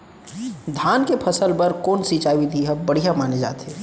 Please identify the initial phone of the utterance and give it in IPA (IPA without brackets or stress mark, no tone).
d̪ʱ